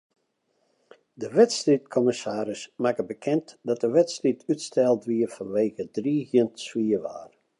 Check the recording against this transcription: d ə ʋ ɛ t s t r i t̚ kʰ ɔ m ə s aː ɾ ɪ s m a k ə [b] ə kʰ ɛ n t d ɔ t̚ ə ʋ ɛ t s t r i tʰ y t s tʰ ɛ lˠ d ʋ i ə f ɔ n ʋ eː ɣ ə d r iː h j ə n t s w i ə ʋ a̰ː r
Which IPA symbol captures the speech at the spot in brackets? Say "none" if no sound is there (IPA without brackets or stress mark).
b